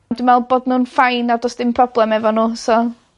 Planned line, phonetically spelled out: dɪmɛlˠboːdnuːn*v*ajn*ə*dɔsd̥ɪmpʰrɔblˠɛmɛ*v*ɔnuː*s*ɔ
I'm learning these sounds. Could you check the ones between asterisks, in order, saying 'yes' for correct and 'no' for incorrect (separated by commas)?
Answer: no, no, yes, yes